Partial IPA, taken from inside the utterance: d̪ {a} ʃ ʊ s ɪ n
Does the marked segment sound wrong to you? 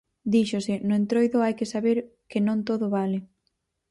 yes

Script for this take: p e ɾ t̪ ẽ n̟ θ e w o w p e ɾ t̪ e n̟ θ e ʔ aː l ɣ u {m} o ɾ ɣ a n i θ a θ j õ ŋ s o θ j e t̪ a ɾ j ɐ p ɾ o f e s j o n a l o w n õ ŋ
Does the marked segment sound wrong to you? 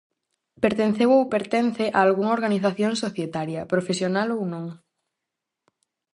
yes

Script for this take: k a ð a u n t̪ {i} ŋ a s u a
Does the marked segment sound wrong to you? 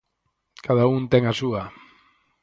yes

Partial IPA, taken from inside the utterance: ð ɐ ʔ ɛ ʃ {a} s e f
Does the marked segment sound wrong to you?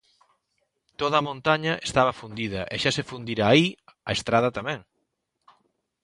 no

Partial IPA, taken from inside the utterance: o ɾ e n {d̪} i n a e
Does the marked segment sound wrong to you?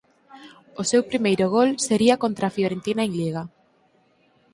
yes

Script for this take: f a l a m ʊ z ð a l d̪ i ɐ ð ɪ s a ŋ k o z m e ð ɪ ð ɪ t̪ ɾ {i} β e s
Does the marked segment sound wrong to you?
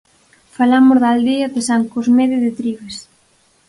no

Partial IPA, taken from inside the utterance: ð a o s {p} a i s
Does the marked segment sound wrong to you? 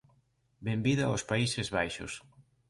no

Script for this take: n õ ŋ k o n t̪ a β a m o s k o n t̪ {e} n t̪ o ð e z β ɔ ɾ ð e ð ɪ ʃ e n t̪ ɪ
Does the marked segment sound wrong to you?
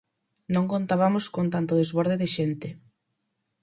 yes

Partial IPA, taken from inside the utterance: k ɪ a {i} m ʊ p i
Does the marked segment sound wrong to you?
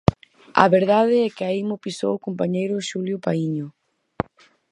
no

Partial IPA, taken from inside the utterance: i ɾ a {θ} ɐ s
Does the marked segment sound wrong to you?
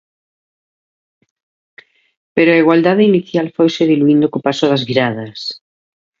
yes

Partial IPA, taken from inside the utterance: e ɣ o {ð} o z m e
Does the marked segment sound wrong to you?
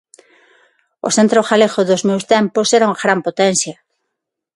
no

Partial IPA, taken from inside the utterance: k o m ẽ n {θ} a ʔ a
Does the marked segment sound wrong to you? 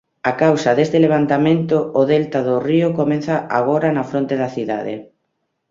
no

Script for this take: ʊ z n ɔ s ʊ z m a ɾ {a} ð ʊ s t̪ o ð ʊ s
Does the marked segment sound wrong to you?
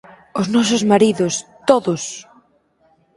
yes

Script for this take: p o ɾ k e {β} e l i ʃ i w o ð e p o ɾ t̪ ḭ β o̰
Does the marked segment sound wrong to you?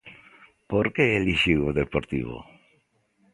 yes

